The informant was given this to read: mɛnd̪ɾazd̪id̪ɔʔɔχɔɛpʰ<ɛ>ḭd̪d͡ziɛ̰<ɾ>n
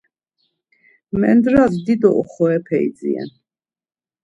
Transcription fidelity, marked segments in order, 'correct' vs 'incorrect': correct, incorrect

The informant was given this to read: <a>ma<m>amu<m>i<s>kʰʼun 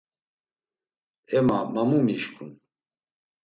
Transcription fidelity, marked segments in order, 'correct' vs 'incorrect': incorrect, correct, correct, incorrect

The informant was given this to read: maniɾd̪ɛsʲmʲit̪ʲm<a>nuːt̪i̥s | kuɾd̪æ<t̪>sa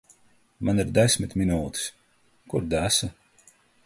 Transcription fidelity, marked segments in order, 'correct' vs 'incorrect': incorrect, incorrect

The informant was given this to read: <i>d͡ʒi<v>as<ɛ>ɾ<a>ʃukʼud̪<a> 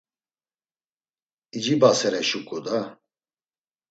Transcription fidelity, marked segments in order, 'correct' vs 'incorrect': correct, incorrect, correct, incorrect, correct

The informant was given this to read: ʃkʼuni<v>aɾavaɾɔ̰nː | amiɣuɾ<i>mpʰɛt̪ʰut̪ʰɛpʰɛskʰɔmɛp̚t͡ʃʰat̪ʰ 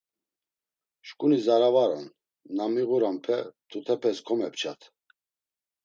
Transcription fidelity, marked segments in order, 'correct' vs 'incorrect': incorrect, incorrect

